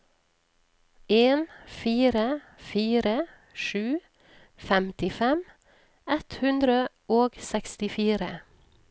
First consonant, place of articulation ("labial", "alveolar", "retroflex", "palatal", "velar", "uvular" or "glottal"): alveolar